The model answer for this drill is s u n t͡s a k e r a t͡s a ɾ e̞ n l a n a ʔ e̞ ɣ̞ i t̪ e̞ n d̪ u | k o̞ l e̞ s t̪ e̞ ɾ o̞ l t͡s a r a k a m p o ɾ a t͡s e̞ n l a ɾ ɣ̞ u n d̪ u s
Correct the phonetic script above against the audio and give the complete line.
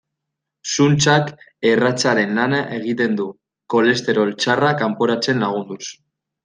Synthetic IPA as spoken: s u n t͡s a k e r a t͡s a ɾ e̞ n l a n a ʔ e̞ ɣ̞ i t̪ e̞ n d̪ u | k o̞ l e̞ s t̪ e̞ ɾ o̞ l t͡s a r a k a m p o ɾ a t͡s e̞ n l a ɣ̞ u n d̪ u s